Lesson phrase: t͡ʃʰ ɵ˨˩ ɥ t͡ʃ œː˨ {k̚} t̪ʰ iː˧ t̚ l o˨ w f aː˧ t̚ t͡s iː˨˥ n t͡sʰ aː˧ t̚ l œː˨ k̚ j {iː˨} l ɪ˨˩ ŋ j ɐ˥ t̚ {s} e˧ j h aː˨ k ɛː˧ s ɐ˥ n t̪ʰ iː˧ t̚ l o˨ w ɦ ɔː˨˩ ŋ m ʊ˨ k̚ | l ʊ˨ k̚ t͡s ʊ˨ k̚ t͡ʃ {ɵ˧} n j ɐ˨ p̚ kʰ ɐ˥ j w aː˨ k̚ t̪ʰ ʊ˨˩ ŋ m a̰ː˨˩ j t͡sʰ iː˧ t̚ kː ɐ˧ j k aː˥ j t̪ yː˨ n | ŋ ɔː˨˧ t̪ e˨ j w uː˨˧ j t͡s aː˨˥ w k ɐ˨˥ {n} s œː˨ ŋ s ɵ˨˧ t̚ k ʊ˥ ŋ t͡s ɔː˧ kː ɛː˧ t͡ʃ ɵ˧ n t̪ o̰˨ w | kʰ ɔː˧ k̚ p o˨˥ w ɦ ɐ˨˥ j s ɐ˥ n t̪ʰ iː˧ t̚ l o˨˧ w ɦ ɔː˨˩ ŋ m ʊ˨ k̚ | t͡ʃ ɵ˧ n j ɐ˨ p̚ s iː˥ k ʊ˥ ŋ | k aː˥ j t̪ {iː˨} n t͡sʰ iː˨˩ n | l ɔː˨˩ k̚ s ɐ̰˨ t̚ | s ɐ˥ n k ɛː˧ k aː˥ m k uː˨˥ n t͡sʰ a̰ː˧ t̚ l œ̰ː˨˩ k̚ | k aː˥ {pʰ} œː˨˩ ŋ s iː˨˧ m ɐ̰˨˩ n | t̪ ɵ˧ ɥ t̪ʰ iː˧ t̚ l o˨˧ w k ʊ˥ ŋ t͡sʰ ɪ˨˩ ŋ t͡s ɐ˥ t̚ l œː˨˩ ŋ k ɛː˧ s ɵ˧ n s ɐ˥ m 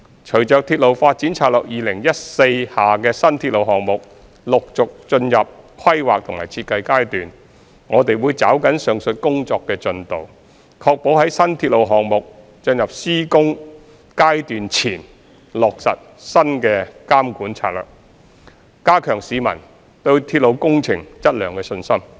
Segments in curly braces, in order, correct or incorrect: correct, correct, correct, correct, correct, incorrect: yː˨, incorrect: kʰ

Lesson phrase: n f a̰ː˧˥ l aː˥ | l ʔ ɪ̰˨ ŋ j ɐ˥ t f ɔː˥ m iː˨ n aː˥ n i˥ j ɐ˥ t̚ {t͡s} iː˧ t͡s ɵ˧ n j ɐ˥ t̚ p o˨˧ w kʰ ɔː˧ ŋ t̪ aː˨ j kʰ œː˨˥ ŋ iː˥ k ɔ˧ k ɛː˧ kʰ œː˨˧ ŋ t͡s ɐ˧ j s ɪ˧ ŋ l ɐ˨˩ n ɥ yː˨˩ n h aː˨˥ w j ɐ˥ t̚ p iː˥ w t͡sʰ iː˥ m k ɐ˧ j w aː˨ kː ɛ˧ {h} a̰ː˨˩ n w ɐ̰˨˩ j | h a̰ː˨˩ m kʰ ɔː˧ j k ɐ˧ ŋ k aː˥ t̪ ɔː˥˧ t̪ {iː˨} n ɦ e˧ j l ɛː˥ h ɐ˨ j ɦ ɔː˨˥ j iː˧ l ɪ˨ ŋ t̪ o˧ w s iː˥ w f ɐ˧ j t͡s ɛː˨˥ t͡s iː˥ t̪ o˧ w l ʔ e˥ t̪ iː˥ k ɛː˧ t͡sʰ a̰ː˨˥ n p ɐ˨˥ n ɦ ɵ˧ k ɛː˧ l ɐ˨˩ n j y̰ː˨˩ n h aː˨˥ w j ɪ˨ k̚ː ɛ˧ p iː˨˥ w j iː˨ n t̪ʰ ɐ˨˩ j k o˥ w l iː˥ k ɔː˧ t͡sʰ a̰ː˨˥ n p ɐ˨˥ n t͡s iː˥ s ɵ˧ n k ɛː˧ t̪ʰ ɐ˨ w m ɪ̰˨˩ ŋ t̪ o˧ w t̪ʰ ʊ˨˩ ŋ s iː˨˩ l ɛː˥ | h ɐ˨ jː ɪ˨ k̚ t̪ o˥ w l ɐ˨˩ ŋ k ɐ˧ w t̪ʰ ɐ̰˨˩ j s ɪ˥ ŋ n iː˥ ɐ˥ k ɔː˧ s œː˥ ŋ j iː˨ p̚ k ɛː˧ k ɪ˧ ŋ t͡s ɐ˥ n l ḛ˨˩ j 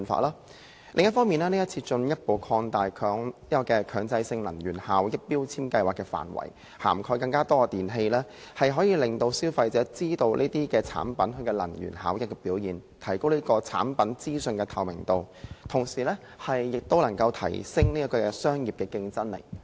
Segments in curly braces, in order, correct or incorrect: incorrect: t͡sʰ, incorrect: f, correct

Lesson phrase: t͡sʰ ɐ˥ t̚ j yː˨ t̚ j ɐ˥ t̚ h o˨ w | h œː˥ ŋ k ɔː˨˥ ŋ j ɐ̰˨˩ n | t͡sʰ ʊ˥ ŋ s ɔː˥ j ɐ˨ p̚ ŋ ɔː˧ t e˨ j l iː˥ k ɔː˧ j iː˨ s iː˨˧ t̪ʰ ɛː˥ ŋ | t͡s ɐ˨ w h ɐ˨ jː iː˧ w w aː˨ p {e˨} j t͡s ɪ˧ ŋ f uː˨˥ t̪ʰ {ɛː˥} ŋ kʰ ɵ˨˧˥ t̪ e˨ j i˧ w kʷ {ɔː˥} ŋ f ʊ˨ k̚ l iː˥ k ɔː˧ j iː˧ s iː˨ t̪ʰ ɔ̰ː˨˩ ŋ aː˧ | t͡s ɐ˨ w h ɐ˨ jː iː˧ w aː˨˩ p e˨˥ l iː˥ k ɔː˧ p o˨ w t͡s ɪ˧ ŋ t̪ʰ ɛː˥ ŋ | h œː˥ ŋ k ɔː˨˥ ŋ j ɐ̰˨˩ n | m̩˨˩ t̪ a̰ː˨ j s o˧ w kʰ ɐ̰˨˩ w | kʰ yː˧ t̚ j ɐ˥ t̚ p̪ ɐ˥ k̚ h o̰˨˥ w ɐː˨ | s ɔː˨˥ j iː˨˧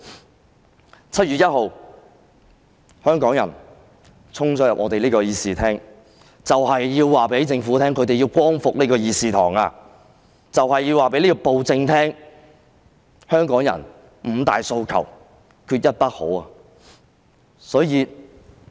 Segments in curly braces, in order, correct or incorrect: incorrect: e˨˥, correct, correct

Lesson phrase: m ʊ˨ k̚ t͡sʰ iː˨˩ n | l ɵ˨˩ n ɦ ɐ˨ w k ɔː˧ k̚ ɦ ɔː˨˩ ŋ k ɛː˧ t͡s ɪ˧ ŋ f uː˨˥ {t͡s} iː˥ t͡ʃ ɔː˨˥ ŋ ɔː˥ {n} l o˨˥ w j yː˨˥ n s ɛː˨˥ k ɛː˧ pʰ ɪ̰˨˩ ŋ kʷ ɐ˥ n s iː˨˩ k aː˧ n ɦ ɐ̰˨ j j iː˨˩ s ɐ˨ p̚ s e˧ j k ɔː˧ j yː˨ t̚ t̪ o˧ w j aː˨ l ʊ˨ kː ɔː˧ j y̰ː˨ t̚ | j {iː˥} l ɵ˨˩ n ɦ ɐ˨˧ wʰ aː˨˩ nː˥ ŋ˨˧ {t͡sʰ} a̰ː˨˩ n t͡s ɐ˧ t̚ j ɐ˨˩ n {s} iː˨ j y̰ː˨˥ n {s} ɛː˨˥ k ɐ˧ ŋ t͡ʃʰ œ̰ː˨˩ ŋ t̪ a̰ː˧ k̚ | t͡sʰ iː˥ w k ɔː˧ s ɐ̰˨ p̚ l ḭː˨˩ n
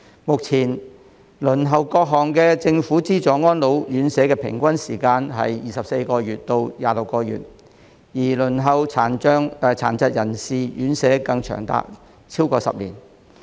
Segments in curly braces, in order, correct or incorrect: correct, correct, incorrect: iː˨˩, correct, correct, correct

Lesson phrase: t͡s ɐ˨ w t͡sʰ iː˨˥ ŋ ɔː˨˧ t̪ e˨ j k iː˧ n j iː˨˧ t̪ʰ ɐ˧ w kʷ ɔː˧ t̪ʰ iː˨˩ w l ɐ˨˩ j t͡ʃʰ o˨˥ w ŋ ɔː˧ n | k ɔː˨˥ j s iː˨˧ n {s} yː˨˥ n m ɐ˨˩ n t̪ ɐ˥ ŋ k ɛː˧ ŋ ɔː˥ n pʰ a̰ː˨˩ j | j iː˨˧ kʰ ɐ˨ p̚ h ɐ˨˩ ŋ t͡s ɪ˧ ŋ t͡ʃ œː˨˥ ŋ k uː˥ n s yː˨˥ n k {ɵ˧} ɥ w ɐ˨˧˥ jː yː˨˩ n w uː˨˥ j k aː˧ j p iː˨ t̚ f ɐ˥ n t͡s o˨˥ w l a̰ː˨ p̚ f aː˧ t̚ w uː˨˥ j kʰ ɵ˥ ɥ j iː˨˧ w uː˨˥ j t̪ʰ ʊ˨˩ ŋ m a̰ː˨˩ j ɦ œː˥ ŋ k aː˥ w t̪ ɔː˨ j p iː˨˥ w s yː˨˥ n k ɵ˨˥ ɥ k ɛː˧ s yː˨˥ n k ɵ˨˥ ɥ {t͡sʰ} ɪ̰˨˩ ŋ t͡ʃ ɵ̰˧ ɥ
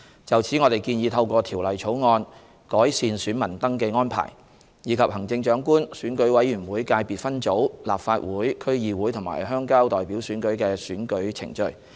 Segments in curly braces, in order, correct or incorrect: correct, incorrect: ɵ˨˥, correct

